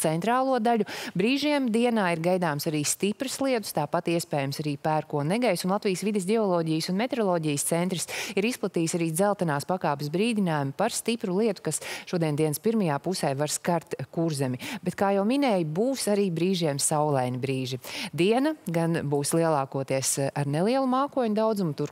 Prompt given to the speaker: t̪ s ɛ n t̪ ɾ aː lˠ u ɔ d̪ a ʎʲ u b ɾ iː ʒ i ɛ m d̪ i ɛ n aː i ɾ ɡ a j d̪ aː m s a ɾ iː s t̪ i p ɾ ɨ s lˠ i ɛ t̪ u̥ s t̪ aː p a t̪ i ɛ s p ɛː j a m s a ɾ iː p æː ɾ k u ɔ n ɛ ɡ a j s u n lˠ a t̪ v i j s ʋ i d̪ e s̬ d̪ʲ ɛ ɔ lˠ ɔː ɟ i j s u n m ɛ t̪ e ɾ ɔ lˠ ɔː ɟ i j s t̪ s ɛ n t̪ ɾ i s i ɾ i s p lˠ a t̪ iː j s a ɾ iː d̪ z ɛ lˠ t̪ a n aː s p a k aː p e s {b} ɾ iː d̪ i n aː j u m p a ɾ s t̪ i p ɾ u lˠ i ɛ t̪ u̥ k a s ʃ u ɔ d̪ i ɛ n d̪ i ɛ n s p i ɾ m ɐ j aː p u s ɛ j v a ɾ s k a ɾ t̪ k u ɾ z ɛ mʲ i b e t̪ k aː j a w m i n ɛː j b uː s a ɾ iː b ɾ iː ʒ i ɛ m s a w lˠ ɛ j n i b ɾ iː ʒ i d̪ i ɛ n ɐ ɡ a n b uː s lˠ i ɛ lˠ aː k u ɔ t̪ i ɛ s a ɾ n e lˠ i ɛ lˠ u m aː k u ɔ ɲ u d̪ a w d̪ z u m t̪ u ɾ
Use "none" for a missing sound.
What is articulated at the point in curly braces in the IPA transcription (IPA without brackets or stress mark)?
b